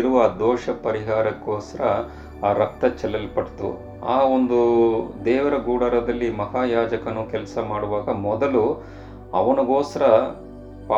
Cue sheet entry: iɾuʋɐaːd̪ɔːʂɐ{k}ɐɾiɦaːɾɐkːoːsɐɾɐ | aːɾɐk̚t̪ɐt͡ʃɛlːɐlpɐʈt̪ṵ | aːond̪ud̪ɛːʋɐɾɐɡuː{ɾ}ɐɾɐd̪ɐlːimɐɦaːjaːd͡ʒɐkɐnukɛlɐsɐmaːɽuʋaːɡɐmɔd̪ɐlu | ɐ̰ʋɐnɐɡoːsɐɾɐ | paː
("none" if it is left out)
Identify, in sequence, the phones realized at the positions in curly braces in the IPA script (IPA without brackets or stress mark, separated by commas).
p, ɽ